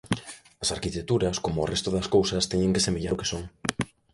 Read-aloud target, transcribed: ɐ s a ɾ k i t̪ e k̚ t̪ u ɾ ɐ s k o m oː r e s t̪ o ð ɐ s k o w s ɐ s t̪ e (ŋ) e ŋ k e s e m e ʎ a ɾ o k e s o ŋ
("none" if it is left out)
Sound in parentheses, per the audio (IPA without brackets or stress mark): ɲ